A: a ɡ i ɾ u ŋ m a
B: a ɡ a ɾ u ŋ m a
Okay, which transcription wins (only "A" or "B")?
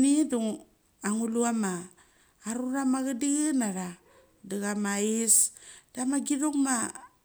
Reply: A